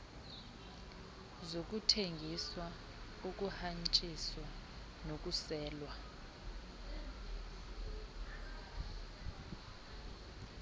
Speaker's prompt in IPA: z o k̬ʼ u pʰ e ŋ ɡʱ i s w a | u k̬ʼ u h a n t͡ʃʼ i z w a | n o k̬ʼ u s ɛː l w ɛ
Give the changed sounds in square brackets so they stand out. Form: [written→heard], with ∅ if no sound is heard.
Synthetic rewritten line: z o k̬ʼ u [pʰ→tʰ] e ŋ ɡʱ i s w a | u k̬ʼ u h a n t͡ʃʼ i [z→s] w a | n o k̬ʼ u s ɛː l w [ɛ→a]

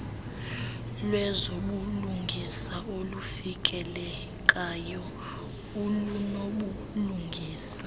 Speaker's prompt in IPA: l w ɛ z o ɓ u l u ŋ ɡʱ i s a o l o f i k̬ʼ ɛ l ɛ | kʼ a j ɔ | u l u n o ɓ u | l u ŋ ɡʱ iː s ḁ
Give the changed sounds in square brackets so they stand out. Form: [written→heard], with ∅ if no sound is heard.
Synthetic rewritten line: l w ɛ z o ɓ u l u ŋ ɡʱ i s a o l [o→u] f i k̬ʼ ɛ l ɛ | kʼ a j ɔ | u l u n o ɓ u | l u ŋ ɡʱ iː s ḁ

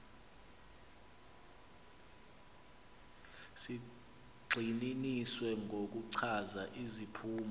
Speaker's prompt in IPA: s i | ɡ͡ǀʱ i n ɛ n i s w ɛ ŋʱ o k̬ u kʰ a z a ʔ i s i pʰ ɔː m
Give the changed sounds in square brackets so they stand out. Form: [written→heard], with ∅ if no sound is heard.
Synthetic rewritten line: s i | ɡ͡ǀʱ i n [ɛ→i] n i s w ɛ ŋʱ o k̬ u [kʰ→ǀʰ] a z a ʔ i [s→z] i pʰ [ɔː→uː] m

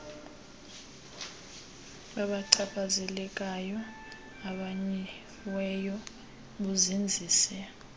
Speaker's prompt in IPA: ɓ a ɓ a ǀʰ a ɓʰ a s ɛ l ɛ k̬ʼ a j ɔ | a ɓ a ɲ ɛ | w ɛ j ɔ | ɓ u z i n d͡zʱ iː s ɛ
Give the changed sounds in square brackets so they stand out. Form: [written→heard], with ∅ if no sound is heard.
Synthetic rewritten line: ɓ a ɓ a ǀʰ a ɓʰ a [s→z] ɛ l ɛ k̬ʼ a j ɔ | a ɓ a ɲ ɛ | w ɛ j ɔ | ɓ u z i n d͡zʱ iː s ɛ

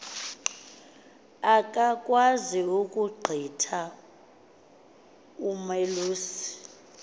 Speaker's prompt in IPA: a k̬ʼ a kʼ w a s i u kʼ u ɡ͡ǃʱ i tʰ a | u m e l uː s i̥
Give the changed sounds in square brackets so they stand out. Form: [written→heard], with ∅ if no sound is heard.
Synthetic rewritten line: a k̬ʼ a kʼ w a [s→z] i u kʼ u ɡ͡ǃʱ i tʰ a | u m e l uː s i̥

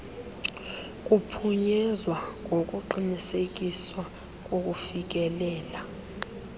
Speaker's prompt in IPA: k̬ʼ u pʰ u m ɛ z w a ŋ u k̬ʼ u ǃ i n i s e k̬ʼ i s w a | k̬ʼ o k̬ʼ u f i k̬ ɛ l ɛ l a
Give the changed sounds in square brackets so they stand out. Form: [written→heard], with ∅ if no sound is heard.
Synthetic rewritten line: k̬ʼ u pʰ u [m→ɲ] ɛ z w a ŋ [u→o] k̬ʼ u ǃ i n i s e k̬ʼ i s w a | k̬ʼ o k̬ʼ u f i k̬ ɛ l [ɛ→ɛː] l a

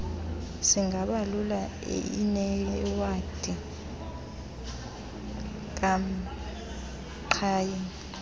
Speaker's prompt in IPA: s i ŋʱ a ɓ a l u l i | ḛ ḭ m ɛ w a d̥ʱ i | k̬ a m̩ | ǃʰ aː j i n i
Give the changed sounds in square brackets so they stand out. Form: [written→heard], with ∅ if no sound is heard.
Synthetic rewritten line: s i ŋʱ a ɓ a l u l [i→a] | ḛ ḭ [m→n] ɛ w a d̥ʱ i | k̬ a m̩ | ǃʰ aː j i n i

